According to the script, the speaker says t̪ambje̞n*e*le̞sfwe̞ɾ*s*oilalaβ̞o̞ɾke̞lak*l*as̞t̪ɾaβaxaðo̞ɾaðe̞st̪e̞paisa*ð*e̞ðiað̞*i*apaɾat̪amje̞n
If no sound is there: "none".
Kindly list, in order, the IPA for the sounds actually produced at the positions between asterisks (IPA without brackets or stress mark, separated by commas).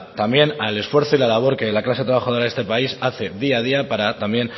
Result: a, θ, l, θ, i